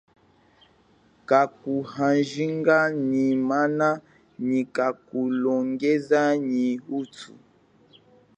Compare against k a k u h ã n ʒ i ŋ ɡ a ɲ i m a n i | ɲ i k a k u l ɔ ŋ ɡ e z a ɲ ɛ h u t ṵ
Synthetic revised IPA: k a k u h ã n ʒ i ŋ ɡ a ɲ i m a n a | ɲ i k a k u l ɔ ŋ ɡ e z a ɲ i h u t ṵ